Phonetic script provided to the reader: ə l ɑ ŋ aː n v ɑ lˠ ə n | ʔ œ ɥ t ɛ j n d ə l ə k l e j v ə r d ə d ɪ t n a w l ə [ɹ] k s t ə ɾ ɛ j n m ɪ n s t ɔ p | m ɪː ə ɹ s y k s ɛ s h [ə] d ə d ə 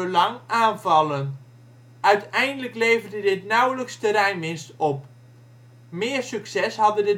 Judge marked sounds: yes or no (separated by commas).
no, no